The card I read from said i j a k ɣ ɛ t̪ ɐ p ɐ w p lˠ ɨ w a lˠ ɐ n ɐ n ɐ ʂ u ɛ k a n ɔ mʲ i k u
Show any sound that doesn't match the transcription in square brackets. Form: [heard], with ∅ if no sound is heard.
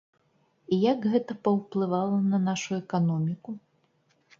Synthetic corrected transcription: i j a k ɣ ɛ t̪ ɐ p ɐ w p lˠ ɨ [v] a lˠ ɐ n ɐ n [a] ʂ u ɛ k a n ɔ mʲ i k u